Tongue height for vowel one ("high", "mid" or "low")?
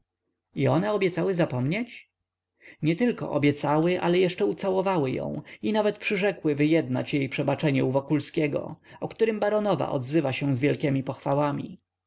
high